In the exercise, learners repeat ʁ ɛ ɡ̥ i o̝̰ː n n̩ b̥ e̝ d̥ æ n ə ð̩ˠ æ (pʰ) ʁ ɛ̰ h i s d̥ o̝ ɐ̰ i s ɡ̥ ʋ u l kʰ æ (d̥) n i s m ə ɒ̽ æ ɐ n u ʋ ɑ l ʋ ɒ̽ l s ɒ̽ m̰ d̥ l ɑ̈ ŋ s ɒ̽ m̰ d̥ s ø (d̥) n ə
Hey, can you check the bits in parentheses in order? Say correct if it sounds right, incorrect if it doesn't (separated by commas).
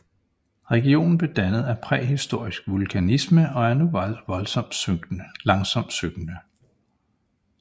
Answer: correct, incorrect, incorrect